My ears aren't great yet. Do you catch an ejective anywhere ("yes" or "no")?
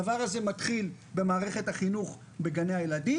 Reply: no